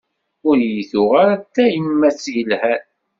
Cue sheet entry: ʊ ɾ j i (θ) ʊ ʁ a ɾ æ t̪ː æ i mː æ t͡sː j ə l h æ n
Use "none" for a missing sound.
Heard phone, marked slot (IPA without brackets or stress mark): θ